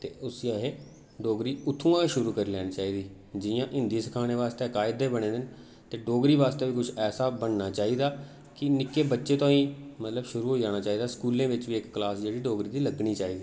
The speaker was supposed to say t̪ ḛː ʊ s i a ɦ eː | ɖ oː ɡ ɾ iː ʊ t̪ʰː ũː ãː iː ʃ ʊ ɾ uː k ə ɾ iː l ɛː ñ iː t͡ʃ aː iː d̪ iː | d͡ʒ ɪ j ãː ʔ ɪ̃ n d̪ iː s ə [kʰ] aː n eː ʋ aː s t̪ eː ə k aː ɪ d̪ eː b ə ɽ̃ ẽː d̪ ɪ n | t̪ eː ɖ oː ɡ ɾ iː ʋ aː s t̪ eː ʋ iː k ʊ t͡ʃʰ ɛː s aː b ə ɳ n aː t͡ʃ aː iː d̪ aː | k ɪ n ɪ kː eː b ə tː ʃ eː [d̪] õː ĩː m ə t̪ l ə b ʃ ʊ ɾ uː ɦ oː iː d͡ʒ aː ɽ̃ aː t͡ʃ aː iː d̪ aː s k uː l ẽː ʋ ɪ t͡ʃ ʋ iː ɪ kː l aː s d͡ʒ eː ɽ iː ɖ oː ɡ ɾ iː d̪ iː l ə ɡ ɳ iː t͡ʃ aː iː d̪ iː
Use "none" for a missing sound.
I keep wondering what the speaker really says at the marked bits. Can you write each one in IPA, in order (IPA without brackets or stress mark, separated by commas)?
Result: kʰ, t̪